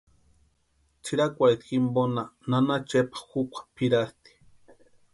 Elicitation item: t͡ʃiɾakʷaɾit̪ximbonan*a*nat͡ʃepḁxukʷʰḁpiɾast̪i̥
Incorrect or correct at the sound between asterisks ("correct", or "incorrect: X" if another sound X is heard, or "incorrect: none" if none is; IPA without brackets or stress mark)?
correct